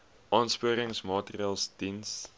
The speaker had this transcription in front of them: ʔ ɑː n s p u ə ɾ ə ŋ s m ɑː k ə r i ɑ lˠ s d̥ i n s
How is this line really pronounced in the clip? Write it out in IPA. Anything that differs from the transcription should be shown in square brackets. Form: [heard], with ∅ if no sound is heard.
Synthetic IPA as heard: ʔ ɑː n s p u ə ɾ ə ŋ s m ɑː [t] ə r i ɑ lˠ s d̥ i n s

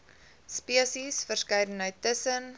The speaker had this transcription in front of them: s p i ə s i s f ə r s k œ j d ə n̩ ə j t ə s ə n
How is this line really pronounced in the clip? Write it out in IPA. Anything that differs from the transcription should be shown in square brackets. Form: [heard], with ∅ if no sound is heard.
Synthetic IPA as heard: s p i ə s i s f ə r s k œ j d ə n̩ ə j t ə s ə n

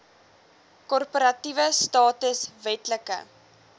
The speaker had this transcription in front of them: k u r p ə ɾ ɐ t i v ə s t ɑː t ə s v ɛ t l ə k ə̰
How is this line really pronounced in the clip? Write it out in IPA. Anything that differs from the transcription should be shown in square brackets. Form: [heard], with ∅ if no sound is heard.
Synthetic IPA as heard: k [ɔ] r p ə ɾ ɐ t i v ə s t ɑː t ə s v ɛ t l ə k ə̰

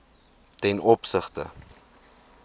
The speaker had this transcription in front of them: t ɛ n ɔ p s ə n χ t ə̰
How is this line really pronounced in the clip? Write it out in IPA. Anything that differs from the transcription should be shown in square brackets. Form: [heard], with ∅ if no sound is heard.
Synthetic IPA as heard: t ɛ n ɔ p s ə [∅] χ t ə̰

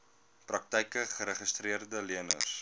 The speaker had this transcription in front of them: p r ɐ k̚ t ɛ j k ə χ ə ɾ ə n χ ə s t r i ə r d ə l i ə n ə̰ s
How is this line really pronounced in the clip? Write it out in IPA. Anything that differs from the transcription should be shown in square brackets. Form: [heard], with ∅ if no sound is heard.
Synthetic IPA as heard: p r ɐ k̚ t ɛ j k ə χ ə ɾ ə [∅] χ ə s t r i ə r d ə l i ə n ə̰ s

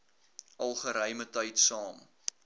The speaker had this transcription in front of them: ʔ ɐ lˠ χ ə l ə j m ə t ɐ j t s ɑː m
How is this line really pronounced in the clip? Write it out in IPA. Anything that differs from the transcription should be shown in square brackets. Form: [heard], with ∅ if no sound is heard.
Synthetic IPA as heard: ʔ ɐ lˠ χ ə [ɾ] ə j m ə t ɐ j t s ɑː m

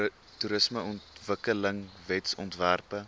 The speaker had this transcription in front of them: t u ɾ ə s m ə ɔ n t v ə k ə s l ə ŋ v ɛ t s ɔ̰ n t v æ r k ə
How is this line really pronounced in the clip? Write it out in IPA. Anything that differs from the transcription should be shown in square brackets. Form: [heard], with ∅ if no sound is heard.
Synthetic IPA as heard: t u ɾ ə s m ə ɔ n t v ə k ə [∅] l ə ŋ v ɛ t s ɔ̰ n t v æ r [p] ə

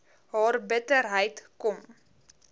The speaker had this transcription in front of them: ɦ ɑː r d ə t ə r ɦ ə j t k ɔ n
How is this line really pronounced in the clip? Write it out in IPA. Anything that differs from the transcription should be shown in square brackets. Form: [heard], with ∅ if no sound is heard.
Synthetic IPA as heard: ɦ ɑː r [b] ə t ə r ɦ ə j t k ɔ [m]

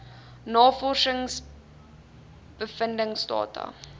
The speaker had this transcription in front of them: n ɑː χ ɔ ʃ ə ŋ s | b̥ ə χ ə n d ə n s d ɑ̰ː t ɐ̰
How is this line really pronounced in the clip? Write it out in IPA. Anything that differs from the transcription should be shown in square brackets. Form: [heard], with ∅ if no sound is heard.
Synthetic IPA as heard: n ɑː [f] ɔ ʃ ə ŋ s | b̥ ə [f] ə n d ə [ŋ] s d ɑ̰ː t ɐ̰

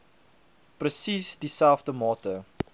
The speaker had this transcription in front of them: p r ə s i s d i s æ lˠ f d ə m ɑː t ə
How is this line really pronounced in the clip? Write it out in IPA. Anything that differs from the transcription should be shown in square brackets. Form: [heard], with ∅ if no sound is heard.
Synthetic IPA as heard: p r ə s i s d i s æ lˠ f d ə m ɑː t ə

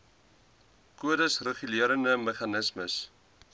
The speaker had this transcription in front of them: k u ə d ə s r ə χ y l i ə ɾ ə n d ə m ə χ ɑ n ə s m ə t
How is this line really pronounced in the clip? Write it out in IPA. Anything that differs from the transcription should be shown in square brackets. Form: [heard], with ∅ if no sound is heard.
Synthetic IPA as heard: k u ə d ə s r ə χ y l i ə ɾ ə n d ə m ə χ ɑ n ə s m ə [s]

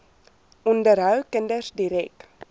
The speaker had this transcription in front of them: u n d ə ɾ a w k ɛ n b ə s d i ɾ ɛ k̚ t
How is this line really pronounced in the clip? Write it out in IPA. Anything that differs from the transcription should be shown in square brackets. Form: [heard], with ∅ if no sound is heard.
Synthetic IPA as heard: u n d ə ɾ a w k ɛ n [d] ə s d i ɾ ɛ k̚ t

